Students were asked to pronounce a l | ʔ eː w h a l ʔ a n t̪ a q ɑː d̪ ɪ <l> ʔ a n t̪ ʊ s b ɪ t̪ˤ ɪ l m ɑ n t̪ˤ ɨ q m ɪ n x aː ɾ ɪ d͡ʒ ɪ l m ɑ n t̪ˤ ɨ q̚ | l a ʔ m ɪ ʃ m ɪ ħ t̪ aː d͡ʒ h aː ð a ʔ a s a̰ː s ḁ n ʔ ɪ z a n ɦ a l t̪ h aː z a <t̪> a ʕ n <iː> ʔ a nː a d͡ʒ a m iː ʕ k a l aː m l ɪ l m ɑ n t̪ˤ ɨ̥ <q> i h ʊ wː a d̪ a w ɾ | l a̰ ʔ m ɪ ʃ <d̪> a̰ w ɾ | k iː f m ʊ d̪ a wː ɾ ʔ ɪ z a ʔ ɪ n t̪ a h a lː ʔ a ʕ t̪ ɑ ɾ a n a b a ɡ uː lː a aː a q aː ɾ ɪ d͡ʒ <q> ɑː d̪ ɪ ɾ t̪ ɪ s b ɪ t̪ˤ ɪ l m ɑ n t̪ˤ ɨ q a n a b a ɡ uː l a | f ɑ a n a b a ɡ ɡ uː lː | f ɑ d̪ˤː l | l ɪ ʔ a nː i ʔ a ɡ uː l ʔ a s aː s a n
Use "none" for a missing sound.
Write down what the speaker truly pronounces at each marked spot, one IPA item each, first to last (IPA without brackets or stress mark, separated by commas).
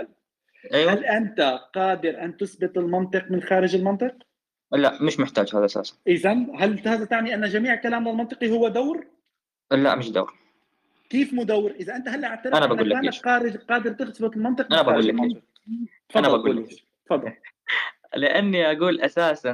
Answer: ɾ, t̪, i, q, d̪, q